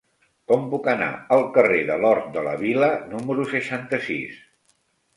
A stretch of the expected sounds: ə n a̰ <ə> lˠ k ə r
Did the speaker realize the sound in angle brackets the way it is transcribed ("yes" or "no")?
yes